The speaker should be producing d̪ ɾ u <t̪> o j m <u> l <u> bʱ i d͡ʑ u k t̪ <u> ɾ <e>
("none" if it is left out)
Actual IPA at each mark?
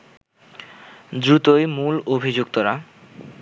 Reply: t̪, u, o, o, a

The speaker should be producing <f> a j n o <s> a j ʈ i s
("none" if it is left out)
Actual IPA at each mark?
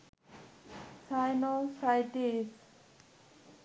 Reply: s, s

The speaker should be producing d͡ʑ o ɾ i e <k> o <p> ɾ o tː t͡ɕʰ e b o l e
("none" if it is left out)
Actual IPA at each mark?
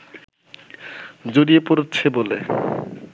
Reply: p, none

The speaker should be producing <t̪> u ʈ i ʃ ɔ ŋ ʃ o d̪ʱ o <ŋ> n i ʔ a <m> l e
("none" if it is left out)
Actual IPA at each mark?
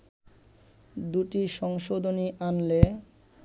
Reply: d̪, none, n

